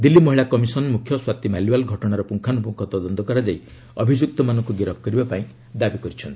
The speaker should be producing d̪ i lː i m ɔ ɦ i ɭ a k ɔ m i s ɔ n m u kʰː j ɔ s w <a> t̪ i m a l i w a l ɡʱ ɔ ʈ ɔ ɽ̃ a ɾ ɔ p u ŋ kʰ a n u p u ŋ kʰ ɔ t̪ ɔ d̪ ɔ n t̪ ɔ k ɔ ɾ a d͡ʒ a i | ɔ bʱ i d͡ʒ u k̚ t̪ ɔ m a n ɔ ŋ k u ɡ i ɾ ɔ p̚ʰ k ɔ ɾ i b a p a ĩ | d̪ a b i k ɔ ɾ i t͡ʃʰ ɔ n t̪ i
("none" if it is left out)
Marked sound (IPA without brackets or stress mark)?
a